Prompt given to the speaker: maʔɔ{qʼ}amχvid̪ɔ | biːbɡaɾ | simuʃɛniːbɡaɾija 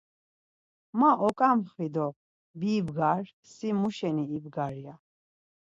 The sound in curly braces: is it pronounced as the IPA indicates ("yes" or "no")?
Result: no